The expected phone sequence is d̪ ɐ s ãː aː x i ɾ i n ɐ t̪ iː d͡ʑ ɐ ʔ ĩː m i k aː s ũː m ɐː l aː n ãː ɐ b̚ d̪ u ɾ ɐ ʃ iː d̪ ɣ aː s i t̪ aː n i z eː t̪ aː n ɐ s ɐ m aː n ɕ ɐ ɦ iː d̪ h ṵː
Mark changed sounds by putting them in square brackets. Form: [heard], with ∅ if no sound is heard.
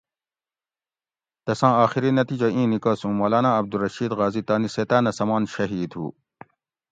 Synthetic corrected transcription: [t̪] ɐ s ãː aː x i ɾ i n ɐ t̪ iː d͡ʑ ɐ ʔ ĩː [n] i k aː s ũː m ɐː l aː n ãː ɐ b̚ d̪ u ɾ ɐ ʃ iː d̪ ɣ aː [z] i t̪ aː n i [s] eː t̪ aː n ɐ s ɐ m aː n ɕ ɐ ɦ iː d̪ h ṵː

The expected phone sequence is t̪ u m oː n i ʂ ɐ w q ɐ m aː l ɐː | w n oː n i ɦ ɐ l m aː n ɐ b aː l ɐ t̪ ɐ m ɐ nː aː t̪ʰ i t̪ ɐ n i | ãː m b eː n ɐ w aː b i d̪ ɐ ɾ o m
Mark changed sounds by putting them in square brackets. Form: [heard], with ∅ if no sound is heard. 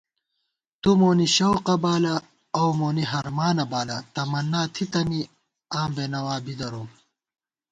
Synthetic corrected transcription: t̪ u m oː n i [ɕ] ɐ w q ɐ [b] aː l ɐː | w [m] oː n i ɦ ɐ [ɾ] m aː n ɐ b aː l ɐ t̪ ɐ m ɐ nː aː t̪ʰ i t̪ ɐ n i | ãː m b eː n ɐ w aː b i d̪ ɐ ɾ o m

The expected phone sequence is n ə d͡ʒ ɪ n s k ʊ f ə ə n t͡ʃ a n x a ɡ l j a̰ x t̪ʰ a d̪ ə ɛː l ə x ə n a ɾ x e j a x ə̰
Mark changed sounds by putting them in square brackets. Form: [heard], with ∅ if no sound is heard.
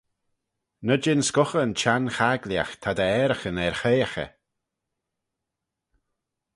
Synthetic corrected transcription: n ə d͡ʒ ɪ n s k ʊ [x] ə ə n t͡ʃ a n x a ɡ l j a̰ x t̪ʰ a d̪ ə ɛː [ɾ] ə x ə n [ɛ] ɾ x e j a x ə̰

